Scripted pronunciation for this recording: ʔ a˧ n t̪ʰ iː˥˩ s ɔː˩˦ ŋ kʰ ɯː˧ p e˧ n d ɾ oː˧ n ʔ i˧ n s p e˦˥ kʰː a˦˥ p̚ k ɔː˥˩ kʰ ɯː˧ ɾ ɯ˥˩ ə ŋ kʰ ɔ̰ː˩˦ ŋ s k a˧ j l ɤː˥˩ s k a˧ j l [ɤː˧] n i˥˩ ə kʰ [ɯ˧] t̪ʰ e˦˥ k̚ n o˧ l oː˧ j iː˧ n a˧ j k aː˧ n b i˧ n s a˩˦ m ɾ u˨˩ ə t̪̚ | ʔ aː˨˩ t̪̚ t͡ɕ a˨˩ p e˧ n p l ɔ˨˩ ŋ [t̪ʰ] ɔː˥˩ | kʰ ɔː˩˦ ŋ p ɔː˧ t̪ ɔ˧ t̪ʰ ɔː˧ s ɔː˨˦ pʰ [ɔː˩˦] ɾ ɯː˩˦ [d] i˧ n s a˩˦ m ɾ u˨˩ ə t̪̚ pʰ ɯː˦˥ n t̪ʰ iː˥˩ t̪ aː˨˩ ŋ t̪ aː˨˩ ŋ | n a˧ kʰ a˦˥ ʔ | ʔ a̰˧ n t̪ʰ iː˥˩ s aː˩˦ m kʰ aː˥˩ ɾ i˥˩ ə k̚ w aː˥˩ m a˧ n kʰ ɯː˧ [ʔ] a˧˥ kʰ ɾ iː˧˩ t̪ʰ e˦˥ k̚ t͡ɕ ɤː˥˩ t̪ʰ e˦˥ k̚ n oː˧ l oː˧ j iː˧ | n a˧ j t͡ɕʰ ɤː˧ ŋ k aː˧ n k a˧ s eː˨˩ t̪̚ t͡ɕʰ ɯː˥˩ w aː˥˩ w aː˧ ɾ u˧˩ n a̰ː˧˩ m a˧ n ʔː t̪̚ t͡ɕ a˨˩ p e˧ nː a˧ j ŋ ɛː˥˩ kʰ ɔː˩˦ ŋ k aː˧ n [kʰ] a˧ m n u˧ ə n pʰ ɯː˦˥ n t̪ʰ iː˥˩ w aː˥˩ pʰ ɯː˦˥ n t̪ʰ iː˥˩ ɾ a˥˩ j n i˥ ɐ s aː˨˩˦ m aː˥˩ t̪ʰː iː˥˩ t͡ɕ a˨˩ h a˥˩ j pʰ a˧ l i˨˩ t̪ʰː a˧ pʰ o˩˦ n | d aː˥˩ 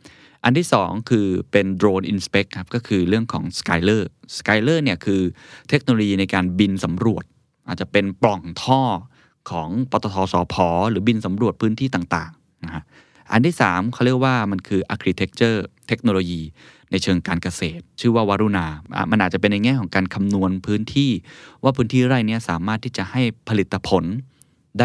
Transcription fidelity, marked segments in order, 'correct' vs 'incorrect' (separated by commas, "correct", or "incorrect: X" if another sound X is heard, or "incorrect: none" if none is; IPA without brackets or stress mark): incorrect: ɤː˥˩, incorrect: ɯː˧, correct, correct, incorrect: b, correct, correct